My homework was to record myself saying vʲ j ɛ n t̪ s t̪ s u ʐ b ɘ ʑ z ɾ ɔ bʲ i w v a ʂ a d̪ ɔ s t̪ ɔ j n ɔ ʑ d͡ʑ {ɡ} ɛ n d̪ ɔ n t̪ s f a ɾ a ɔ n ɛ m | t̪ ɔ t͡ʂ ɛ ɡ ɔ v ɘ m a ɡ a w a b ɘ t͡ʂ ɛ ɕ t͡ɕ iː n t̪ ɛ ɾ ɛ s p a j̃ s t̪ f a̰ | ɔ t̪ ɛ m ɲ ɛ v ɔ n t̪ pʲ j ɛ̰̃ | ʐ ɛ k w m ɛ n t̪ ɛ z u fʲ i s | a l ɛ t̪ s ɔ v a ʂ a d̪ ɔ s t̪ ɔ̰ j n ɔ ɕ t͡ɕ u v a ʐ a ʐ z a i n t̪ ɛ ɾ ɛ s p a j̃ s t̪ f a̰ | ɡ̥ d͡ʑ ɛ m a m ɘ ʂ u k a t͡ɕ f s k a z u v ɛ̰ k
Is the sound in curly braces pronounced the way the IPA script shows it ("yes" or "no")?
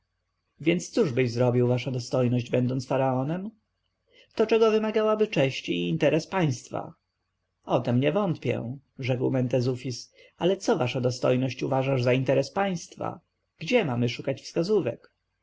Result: no